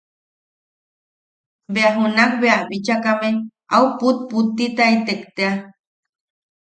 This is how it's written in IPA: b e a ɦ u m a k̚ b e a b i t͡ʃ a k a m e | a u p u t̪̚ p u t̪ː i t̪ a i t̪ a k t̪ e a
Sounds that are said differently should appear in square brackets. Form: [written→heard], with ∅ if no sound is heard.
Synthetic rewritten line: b e a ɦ u [m→n] a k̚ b e a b i t͡ʃ a k a m e | a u p u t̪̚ p u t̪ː i t̪ a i t̪ [a→e] k t̪ e a

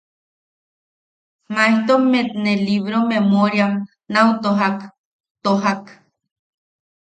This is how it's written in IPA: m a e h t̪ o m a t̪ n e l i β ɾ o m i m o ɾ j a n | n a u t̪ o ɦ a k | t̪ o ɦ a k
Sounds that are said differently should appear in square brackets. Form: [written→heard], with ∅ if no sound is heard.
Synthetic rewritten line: m a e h t̪ o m [a→e] t̪ n e l i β ɾ o m [i→e] m o ɾ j a [n→m] | n a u t̪ o ɦ a k | t̪ o ɦ a k

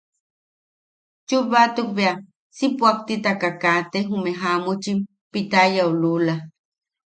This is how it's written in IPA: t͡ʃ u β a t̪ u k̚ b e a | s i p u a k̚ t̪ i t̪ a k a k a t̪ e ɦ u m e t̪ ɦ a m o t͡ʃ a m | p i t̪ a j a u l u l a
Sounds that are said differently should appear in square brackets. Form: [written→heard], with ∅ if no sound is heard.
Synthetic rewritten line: t͡ʃ u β a t̪ u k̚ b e a | s i p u a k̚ t̪ i t̪ a k a k a t̪ e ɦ u m e [t̪→∅] ɦ a m [o→u] t͡ʃ [a→i] m | p i t̪ a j a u l u l a

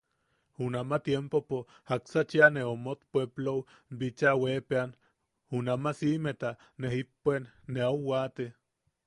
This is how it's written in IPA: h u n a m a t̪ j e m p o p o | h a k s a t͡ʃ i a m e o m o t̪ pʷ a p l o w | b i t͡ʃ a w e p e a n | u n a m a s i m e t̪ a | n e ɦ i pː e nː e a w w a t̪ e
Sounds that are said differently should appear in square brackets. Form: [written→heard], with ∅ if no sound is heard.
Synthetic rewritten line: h u n a m a t̪ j e m p o p o | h a k s a t͡ʃ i a [m→n] e o m o t̪ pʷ [a→e] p l o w | b i t͡ʃ a w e p e a n | u n a m a s i m e t̪ a | n e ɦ i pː e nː e a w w a t̪ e

